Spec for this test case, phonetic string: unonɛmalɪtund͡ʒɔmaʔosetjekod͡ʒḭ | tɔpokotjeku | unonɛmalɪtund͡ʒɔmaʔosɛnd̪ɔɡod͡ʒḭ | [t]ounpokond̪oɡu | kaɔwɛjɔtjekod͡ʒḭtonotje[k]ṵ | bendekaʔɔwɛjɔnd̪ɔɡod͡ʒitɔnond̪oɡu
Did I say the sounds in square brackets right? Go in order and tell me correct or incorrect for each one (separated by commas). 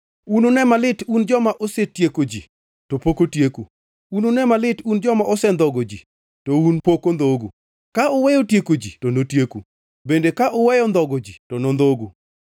correct, correct